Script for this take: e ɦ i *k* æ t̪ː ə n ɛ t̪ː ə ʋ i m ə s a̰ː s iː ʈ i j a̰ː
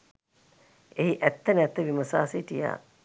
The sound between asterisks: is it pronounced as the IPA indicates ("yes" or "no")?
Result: no